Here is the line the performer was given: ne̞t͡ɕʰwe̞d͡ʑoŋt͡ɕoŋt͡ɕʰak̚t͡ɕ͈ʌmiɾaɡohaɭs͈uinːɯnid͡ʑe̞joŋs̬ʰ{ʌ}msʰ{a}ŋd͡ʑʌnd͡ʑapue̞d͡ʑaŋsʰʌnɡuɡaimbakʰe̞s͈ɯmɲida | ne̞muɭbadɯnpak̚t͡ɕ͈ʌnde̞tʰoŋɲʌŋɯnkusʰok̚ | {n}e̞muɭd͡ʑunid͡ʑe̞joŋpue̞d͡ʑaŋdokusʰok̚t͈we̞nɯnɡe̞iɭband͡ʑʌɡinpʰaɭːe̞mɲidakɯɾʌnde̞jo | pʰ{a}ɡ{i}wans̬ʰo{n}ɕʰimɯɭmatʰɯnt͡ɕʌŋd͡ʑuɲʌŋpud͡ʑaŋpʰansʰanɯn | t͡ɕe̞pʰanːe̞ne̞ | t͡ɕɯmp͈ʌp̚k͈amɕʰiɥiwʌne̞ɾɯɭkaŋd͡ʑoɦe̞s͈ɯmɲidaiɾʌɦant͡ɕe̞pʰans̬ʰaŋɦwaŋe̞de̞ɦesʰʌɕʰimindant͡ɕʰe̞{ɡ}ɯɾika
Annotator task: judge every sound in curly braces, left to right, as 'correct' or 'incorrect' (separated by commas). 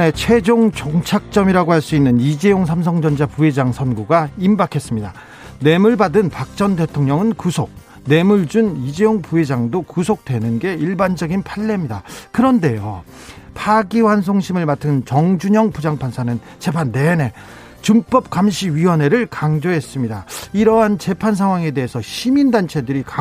incorrect, incorrect, correct, correct, correct, incorrect, incorrect